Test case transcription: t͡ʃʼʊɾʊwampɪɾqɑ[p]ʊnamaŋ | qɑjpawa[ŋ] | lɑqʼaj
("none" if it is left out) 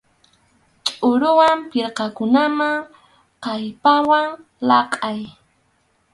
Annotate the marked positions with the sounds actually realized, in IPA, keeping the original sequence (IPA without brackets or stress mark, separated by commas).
k, ŋ